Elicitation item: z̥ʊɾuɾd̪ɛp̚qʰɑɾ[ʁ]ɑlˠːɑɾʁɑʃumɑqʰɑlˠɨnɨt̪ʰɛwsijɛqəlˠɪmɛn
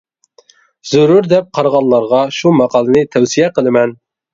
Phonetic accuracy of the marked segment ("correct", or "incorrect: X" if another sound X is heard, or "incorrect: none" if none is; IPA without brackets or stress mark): correct